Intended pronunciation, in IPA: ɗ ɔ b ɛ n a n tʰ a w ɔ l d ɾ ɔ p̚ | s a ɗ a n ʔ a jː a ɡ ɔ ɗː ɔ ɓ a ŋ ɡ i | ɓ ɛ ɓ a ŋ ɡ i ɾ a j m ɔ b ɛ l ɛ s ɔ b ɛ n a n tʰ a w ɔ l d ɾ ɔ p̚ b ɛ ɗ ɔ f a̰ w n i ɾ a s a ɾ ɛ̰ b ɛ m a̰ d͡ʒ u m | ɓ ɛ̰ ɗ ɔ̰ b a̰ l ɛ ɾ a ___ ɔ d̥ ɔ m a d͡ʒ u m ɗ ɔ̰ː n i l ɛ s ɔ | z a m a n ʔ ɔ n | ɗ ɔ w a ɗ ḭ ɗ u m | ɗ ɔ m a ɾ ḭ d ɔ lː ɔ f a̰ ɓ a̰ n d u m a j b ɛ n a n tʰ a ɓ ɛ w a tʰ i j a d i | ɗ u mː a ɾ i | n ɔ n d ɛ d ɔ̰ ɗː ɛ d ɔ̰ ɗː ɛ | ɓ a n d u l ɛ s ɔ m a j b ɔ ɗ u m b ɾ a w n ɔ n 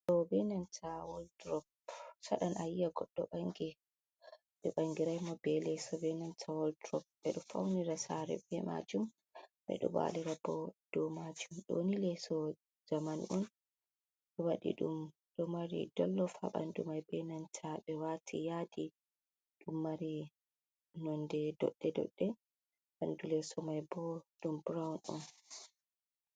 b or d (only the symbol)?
b